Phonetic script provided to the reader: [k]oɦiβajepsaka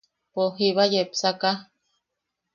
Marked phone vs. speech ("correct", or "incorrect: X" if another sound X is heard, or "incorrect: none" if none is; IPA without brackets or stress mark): incorrect: p